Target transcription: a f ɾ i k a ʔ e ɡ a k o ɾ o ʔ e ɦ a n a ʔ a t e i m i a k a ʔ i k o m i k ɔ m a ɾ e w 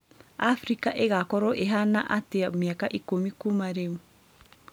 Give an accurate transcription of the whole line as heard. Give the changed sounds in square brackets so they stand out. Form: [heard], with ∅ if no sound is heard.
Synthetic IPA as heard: a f ɾ i k a ʔ e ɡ a k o ɾ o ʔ e ɦ a n a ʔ a t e [a] m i a k a ʔ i k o m i k [u] m a ɾ e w